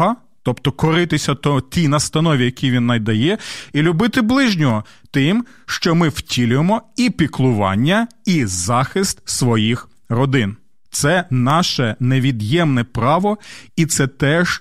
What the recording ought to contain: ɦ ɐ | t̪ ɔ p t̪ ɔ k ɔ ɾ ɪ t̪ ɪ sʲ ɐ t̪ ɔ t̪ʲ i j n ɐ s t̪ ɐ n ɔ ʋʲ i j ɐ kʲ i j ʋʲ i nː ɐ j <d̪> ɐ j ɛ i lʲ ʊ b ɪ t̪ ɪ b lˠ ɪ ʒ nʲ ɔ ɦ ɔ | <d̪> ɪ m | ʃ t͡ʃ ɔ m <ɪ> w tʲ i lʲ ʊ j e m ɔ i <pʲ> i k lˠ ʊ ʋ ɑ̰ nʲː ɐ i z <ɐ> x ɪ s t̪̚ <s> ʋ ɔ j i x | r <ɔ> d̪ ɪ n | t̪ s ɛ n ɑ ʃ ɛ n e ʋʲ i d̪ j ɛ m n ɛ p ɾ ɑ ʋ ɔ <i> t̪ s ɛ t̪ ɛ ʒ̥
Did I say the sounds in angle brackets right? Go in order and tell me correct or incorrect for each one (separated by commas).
correct, incorrect, correct, correct, incorrect, correct, correct, correct